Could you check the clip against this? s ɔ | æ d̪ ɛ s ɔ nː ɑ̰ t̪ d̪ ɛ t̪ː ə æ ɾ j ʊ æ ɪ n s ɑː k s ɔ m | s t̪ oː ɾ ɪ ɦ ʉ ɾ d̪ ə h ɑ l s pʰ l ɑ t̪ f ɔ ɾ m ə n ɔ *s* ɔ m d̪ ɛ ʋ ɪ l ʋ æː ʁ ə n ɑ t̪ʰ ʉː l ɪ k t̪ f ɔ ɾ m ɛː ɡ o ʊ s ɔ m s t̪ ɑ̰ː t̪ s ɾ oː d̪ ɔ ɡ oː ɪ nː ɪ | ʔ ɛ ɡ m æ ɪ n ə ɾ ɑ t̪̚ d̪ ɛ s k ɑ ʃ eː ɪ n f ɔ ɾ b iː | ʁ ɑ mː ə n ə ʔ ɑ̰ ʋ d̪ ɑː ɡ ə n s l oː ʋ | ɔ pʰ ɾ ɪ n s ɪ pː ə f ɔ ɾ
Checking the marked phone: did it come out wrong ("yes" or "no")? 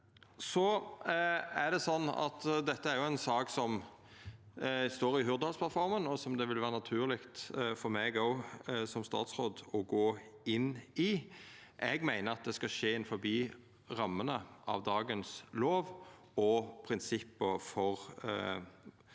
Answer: no